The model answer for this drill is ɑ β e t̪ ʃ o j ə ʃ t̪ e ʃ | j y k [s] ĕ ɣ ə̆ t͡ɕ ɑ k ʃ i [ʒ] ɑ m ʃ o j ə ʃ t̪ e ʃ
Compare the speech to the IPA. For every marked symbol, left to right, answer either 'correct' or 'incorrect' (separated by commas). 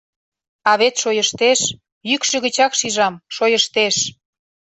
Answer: incorrect, correct